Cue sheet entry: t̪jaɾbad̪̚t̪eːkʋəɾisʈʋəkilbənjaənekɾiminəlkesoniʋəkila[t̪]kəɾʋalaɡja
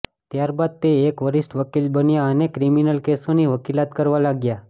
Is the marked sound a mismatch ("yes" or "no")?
no